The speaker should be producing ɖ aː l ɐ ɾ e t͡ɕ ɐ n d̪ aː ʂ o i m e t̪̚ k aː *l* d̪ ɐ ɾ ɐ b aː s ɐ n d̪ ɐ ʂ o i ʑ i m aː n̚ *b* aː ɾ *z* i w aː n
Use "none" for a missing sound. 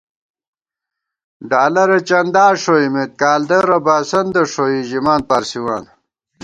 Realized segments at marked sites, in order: l, p, s

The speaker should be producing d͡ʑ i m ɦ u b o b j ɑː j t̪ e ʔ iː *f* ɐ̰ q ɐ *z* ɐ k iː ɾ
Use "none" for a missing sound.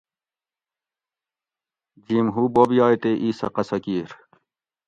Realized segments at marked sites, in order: s, s

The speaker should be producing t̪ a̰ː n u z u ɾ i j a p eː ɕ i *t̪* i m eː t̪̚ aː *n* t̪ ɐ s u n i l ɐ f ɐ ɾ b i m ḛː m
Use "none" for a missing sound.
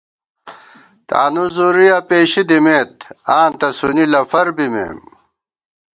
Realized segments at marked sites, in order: d̪, n

